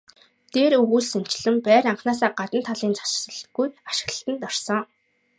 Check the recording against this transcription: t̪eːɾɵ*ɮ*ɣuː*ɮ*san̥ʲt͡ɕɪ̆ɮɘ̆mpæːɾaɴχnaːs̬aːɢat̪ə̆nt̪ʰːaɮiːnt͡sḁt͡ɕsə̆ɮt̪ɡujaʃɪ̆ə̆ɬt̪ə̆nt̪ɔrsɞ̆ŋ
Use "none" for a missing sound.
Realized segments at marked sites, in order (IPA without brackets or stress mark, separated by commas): none, ɮ